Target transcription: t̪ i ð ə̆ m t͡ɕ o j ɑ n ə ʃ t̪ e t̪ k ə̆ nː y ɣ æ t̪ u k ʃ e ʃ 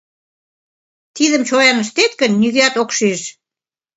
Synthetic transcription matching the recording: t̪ i ð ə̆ m t͡ɕ o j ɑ n ə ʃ t̪ e t̪ k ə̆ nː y ɣ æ t̪ o k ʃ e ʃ

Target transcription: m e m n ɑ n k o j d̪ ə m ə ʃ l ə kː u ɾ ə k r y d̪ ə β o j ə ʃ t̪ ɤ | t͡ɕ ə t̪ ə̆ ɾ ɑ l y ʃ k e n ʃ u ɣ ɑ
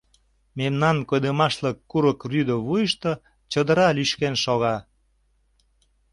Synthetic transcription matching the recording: m e m n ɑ n k o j d̪ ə m ɑ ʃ l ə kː u ɾ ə k r y d̪ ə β u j ə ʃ t̪ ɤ | t͡ɕ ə d̪ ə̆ ɾ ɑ l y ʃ k e n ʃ o ɣ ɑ

